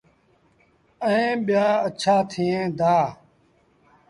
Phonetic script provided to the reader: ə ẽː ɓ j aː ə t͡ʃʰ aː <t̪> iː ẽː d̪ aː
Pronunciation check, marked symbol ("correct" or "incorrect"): incorrect